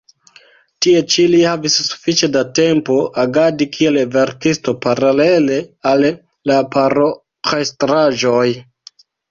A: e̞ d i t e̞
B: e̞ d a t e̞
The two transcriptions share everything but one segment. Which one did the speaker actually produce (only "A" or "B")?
B